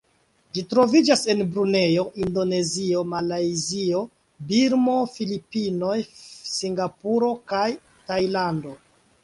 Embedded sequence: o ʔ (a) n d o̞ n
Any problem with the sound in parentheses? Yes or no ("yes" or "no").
yes